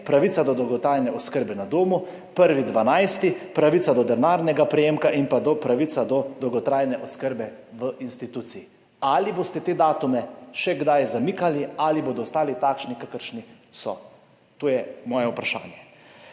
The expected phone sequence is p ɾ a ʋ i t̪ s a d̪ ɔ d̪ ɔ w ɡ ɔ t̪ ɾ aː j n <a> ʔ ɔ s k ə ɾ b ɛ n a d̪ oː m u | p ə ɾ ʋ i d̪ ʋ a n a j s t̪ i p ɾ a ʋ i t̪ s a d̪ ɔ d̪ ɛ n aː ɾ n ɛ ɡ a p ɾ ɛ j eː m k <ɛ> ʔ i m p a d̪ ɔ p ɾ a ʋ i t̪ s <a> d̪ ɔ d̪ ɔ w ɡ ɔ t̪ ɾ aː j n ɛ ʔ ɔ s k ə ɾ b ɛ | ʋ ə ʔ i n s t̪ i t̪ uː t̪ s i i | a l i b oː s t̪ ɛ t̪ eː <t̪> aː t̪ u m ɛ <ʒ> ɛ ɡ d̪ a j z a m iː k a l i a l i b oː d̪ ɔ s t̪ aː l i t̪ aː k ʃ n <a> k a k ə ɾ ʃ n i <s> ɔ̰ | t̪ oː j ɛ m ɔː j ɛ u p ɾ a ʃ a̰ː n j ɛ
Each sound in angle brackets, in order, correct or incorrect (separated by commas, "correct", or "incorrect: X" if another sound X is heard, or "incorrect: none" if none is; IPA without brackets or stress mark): incorrect: ɛ, incorrect: a, correct, incorrect: d̪, incorrect: ʃ, incorrect: i, correct